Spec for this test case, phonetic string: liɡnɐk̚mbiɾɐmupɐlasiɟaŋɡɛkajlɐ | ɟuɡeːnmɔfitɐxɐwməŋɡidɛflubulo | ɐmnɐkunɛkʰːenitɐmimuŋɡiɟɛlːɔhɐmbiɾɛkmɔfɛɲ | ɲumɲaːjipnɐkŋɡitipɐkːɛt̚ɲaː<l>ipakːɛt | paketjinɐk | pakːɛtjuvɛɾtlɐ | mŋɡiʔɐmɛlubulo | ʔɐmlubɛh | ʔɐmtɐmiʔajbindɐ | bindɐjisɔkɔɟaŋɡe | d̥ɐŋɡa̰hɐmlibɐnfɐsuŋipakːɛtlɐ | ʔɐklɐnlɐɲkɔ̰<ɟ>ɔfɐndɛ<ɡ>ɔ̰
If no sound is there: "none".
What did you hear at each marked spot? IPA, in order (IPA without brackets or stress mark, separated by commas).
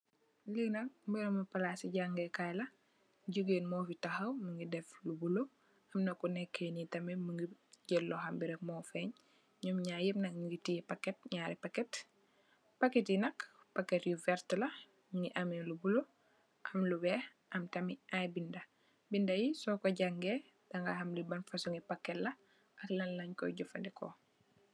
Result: ɾ, ɟ, k